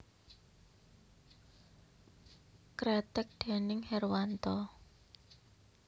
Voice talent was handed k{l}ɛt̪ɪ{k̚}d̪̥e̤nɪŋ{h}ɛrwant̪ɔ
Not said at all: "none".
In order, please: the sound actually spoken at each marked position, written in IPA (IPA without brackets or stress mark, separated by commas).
ɾ, k̚, h